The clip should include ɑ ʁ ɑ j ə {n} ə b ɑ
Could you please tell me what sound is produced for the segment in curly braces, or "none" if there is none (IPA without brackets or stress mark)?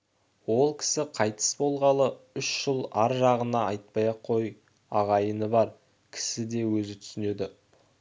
n